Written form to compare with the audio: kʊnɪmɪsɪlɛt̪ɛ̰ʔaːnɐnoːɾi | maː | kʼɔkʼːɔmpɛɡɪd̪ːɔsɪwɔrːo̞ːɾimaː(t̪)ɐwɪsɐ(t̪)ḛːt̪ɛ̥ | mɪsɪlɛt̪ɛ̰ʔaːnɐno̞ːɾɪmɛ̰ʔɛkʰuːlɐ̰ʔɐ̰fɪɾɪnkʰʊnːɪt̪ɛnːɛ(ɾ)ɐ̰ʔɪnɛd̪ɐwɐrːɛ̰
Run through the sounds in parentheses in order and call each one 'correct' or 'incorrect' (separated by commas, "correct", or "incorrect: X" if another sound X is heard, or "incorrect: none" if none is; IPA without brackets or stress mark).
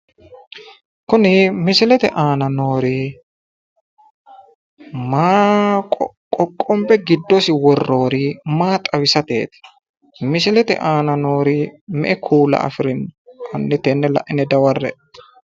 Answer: incorrect: t̪ʼ, correct, incorrect: l